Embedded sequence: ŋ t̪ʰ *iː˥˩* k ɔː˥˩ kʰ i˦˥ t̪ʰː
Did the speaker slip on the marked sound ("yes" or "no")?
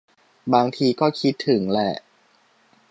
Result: yes